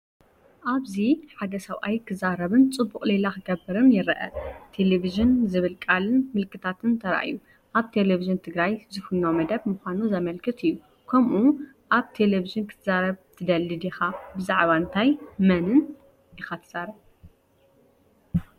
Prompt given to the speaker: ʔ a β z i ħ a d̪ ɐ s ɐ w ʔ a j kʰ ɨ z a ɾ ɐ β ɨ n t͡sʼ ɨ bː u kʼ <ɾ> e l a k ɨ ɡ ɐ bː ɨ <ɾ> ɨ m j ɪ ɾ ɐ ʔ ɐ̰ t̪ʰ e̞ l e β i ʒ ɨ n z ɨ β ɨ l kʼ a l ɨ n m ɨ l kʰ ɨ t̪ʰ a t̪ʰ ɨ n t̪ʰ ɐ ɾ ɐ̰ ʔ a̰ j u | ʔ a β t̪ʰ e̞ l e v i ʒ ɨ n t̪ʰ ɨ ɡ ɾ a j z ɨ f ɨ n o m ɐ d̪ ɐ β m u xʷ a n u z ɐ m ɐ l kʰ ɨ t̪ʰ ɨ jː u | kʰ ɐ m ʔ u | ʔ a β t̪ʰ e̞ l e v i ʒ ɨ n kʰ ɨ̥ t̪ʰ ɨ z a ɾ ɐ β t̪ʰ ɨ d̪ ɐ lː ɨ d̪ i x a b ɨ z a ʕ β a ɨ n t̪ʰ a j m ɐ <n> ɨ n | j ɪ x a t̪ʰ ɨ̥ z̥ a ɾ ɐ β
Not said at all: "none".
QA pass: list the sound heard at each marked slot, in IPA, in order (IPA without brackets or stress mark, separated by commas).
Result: l, ɾ, n